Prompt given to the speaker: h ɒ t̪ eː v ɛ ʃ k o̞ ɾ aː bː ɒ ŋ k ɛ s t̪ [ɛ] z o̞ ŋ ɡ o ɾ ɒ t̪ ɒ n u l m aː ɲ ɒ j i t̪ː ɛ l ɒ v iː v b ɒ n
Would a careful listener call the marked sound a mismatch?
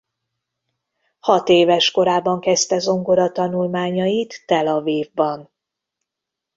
no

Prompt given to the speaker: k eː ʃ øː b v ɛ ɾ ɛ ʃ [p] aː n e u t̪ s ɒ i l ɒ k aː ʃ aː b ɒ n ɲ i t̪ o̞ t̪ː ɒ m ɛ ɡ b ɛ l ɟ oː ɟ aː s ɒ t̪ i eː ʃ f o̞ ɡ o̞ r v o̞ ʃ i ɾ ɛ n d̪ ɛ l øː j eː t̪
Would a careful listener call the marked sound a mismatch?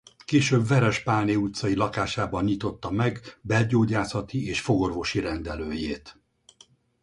no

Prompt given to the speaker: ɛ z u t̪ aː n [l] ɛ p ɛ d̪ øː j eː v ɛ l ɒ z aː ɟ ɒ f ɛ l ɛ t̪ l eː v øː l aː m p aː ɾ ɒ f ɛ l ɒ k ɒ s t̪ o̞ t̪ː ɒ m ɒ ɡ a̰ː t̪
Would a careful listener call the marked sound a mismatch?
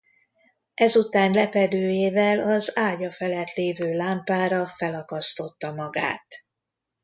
no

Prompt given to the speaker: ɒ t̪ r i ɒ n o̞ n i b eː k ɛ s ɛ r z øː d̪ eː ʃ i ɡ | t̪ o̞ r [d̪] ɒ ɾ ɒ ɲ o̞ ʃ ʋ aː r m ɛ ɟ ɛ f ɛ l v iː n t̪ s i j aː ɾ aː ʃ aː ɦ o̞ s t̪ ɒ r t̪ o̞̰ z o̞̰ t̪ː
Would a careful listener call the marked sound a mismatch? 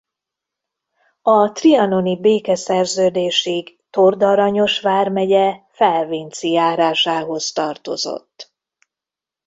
no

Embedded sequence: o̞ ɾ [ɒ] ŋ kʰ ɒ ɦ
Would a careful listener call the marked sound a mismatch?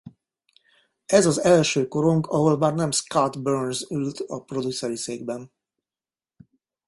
yes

